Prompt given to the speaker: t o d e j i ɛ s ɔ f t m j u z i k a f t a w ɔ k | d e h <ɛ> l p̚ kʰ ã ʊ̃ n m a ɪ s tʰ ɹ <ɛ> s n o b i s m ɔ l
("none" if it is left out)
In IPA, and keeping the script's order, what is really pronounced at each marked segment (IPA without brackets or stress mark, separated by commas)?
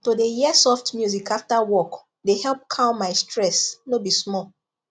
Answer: ɛ, ɛ